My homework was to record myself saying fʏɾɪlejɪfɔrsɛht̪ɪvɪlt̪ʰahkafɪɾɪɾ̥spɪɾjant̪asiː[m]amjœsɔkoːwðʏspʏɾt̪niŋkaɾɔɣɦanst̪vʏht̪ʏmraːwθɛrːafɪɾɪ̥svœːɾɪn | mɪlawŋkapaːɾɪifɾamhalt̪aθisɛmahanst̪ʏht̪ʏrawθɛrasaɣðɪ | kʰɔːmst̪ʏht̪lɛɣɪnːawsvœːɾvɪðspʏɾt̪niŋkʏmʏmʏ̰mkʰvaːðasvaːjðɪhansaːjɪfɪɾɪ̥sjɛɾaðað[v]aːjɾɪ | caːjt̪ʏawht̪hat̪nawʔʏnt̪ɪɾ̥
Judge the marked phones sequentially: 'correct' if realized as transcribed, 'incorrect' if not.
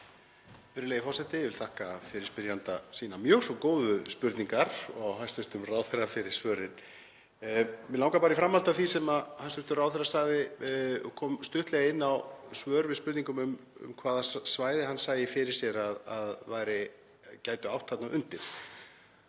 incorrect: n, correct

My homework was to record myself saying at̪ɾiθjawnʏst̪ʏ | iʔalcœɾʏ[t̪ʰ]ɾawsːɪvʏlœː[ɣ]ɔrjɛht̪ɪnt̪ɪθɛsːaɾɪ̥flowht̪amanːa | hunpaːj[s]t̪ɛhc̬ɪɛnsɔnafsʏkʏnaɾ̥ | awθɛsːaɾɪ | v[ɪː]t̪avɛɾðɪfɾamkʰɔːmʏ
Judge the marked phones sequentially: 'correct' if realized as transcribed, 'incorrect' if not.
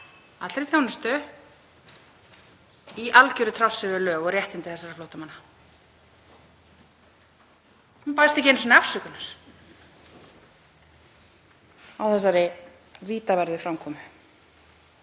correct, correct, correct, incorrect: iː

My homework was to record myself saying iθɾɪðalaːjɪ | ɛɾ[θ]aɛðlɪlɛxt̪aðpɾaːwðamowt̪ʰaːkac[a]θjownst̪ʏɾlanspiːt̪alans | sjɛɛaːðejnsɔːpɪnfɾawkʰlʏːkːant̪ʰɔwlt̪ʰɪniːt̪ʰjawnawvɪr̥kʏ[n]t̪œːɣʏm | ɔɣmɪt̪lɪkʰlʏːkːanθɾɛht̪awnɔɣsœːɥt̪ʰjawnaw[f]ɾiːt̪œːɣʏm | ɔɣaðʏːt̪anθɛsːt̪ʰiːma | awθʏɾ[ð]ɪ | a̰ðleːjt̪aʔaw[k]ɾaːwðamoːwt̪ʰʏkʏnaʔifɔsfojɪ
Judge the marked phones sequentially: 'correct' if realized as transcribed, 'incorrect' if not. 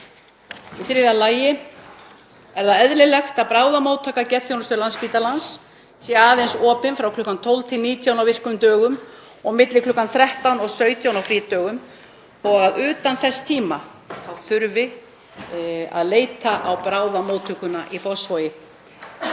incorrect: ð, incorrect: ɛ, incorrect: m, correct, incorrect: v, incorrect: p

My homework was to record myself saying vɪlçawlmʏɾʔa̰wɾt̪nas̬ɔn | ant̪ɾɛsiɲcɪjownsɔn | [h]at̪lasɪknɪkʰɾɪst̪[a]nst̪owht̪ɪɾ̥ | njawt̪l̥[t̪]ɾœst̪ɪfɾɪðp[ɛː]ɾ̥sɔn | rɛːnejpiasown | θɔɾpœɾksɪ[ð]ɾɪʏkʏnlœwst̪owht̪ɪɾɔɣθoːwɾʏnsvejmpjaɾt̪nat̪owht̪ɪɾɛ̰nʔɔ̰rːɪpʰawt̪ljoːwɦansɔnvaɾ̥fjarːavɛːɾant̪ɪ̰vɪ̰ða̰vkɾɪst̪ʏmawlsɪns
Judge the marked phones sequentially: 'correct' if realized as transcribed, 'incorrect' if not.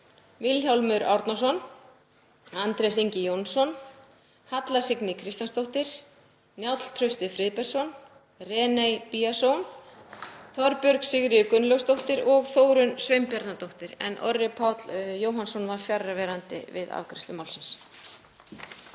correct, correct, incorrect: t̪ʰ, incorrect: ɛ, incorrect: ɣ

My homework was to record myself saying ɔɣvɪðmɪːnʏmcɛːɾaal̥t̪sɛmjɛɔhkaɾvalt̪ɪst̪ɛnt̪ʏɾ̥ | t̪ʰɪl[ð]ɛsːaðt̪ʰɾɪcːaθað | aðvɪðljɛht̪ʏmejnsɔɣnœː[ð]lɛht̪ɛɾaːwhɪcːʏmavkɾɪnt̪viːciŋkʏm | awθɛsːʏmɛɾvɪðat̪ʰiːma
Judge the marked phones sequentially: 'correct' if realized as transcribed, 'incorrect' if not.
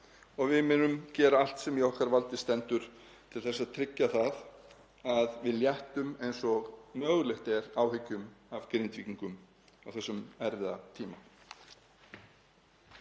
incorrect: θ, incorrect: ɣ

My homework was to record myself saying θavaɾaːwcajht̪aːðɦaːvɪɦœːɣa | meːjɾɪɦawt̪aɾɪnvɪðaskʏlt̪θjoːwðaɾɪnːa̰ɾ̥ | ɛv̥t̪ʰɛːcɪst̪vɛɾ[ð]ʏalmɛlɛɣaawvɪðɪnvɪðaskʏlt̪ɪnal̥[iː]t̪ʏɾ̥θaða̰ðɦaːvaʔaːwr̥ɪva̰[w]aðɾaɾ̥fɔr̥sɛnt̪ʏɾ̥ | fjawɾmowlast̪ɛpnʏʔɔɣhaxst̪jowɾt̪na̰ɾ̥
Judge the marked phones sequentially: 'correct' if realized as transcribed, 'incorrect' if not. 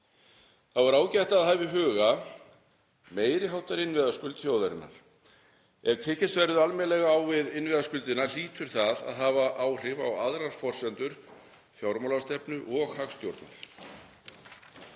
correct, correct, correct

